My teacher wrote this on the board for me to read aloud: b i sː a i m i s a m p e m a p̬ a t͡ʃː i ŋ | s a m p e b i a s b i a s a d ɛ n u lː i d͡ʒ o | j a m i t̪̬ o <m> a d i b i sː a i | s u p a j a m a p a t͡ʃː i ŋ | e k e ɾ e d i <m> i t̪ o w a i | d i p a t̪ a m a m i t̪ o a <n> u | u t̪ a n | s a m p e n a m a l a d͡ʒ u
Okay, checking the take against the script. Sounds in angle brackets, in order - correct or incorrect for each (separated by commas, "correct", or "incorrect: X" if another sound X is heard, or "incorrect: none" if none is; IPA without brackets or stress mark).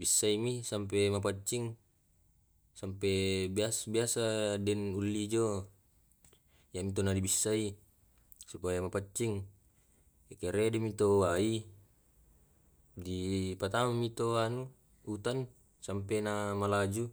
incorrect: n, correct, correct